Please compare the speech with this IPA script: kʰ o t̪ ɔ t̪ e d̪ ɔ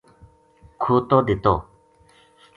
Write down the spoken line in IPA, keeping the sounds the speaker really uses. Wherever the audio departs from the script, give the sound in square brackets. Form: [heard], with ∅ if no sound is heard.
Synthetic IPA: kʰ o t̪ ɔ [d̪] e [t̪] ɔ